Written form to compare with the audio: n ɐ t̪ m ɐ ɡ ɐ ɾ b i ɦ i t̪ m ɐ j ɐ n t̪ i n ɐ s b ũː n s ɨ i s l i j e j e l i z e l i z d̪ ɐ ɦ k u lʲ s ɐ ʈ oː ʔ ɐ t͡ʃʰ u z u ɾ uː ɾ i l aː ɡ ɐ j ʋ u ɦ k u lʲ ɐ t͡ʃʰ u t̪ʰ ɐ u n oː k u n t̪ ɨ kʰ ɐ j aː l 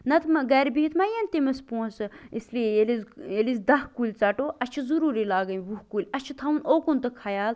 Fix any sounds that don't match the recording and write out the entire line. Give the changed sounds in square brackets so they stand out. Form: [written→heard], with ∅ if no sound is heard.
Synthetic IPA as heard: n ɐ t̪ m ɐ ɡ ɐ ɾ b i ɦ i t̪ m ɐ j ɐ n t̪ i [n→m] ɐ s [b→p] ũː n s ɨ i s l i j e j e l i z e l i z d̪ ɐ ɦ k u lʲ [s→t͡s] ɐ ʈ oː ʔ ɐ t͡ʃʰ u z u ɾ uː ɾ i l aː ɡ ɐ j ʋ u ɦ k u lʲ ɐ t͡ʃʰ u t̪ʰ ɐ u n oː k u n t̪ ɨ kʰ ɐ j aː l